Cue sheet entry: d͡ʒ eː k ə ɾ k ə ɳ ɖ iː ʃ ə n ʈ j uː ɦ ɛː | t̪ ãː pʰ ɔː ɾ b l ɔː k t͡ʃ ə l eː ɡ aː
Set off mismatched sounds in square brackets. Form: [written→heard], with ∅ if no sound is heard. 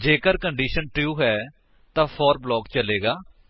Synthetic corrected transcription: d͡ʒ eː k ə ɾ k ə ɳ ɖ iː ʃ ə n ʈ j uː ɦ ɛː | t̪ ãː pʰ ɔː ɾ b l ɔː k t͡ʃ ə l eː ɡ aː